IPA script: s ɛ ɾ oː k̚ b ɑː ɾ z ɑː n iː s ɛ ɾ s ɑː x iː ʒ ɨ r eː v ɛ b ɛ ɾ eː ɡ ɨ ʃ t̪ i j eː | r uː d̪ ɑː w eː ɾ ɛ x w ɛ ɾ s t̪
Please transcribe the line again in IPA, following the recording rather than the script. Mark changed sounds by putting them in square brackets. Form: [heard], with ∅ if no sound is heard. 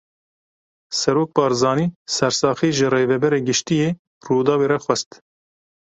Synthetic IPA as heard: s ɛ ɾ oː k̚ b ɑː ɾ z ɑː n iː s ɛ ɾ s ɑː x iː ʒ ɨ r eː v ɛ b ɛ ɾ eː ɡ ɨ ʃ t̪ i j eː | r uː d̪ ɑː w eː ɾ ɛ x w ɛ [∅] s t̪